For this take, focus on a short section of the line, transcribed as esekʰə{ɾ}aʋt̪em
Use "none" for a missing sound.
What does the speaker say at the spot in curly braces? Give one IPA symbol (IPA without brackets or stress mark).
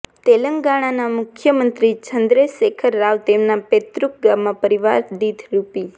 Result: ɾː